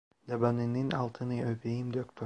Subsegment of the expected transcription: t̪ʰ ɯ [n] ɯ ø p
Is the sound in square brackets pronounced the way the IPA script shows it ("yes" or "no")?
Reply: yes